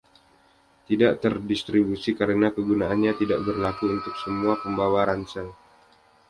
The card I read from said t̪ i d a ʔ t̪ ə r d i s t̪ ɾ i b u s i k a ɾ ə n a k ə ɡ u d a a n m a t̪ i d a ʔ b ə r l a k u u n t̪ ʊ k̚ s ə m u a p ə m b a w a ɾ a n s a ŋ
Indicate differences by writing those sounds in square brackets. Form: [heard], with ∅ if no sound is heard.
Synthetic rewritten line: t̪ i d a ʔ t̪ ə r d i s t̪ ɾ i b u s i k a ɾ ə n a k ə ɡ u [n] a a n [ɲ] a t̪ i d a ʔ b ə r l a k u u n t̪ ʊ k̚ s ə m u a p ə m b a w a ɾ a n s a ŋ